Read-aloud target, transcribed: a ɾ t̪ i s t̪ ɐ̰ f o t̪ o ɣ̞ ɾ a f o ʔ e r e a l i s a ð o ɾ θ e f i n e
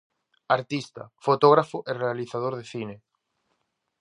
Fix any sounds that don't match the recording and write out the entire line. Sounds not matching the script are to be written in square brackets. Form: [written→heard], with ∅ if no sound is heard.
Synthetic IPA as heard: a ɾ t̪ i s t̪ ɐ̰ f o t̪ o ɣ̞ ɾ a f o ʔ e r e a l i [s→θ] a ð o ɾ [θ→ð] e [f→θ] i n e